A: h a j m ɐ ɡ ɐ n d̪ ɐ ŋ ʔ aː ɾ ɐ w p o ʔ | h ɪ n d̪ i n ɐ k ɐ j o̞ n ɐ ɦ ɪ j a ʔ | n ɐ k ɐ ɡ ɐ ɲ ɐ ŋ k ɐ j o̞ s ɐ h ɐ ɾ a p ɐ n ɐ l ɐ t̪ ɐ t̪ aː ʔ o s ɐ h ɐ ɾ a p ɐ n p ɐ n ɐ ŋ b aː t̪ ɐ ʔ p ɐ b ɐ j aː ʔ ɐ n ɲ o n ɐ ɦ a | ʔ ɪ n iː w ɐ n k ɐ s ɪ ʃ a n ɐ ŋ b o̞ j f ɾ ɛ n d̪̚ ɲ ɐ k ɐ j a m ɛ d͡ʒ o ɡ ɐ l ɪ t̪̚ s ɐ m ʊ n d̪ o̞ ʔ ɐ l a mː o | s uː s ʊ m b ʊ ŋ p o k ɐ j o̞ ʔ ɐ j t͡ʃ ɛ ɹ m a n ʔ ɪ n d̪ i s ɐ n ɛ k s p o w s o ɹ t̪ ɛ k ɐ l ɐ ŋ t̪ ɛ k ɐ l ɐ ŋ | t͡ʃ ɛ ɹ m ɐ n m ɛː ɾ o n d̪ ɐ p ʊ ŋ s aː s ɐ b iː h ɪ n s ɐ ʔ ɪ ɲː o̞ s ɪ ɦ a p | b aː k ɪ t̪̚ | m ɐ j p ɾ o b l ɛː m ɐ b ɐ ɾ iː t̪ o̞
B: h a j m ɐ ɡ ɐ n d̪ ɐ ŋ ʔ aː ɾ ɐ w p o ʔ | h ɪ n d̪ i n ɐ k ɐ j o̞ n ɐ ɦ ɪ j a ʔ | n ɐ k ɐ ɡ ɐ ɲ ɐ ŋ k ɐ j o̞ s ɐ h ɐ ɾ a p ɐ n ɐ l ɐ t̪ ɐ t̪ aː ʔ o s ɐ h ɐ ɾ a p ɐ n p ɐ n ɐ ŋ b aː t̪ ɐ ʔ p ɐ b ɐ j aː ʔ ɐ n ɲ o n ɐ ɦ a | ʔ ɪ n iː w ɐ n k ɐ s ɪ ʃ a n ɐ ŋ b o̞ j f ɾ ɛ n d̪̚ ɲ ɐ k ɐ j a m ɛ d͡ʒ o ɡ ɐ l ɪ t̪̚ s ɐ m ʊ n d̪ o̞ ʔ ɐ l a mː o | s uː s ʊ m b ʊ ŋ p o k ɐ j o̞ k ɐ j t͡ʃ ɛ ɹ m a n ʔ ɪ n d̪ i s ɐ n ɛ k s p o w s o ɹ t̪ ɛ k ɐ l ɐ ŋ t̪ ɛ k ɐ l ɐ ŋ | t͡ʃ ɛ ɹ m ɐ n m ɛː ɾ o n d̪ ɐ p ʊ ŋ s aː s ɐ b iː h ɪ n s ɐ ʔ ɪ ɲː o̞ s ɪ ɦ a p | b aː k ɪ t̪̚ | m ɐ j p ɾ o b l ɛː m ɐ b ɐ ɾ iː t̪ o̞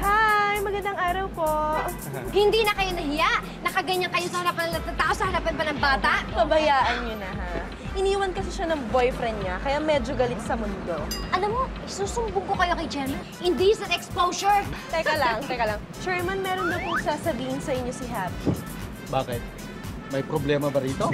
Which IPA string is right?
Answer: B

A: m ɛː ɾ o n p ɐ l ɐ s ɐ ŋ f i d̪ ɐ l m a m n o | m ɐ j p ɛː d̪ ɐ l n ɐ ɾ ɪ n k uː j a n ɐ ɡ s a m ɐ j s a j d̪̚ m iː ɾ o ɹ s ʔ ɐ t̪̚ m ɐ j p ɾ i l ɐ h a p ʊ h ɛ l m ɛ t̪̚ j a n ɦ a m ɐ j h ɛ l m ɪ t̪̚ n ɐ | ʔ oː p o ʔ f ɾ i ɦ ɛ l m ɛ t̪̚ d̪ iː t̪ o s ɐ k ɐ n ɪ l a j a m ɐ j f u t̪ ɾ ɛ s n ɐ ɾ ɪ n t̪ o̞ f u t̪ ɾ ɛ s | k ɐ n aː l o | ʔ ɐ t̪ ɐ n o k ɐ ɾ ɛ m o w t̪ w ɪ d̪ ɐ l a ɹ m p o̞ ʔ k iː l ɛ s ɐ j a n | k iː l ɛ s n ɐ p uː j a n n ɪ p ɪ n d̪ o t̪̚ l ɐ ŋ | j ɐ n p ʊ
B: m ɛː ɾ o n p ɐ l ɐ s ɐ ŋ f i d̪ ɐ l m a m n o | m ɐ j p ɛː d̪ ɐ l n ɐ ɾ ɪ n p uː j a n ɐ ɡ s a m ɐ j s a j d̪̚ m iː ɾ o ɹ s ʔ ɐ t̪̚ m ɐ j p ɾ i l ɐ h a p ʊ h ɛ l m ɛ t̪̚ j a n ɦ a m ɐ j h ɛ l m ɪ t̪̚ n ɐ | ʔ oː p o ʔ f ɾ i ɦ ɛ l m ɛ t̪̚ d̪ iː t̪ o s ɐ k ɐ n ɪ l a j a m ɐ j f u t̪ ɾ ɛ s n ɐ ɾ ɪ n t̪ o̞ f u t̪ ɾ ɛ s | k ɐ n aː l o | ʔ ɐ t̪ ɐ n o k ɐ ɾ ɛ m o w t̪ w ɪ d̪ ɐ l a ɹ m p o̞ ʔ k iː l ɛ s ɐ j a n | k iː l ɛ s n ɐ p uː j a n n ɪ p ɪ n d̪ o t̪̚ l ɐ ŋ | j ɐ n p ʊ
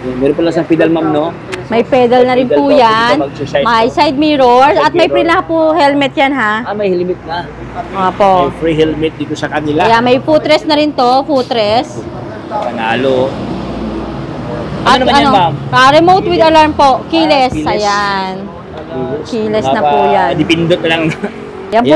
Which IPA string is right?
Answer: B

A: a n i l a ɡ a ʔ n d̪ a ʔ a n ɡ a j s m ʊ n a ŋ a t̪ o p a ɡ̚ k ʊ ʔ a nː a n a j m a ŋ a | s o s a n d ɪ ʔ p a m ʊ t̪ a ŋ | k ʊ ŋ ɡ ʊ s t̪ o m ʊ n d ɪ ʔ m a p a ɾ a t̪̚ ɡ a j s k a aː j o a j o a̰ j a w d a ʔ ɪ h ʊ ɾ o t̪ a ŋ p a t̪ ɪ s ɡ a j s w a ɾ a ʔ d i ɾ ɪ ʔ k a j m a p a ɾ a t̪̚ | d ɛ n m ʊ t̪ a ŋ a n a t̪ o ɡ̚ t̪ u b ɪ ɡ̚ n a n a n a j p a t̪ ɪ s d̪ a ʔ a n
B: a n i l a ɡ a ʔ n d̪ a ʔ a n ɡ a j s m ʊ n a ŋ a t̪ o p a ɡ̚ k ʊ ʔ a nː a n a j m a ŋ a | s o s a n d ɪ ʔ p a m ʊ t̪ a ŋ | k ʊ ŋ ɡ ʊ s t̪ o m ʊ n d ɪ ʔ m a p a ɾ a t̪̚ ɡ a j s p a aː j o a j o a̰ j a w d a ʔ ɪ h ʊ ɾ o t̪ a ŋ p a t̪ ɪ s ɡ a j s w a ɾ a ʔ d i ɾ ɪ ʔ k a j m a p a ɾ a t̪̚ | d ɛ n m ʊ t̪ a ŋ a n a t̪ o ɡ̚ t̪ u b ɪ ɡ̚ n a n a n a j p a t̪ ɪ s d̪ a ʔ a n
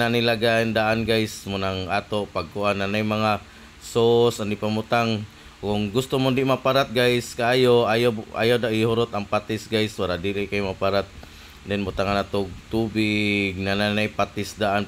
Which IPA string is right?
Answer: A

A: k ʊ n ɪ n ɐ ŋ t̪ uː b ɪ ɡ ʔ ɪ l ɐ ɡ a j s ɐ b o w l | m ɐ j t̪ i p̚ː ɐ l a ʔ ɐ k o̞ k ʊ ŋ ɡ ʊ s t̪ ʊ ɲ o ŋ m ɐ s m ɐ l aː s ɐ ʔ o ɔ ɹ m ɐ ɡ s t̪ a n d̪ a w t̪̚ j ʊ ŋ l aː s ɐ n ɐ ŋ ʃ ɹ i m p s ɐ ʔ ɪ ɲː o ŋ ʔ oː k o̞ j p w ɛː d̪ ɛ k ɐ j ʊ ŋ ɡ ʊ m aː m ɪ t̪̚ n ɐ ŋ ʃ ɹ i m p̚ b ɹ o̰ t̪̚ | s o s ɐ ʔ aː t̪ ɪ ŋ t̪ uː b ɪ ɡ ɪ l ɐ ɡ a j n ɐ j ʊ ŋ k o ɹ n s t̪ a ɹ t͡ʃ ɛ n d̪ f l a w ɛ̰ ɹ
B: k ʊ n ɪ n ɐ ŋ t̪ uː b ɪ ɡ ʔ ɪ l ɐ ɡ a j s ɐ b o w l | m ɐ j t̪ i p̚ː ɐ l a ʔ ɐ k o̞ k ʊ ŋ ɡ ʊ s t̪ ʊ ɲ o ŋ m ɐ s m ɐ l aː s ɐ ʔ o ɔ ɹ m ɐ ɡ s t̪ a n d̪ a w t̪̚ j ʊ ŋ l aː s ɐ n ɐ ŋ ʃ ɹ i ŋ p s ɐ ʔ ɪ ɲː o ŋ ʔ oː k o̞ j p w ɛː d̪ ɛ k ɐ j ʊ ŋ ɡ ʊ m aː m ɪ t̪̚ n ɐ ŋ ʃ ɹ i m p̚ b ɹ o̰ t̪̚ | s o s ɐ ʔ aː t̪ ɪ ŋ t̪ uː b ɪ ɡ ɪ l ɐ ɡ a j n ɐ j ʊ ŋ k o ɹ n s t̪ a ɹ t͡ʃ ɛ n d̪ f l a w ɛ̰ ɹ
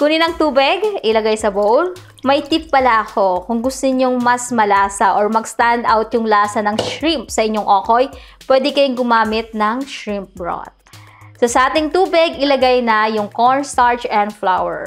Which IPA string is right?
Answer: A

